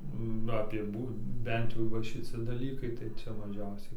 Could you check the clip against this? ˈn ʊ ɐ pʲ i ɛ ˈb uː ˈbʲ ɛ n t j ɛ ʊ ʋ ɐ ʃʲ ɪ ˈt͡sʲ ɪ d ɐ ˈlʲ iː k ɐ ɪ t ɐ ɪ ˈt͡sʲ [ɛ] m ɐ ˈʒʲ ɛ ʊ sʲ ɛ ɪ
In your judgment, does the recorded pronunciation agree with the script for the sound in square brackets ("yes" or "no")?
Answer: yes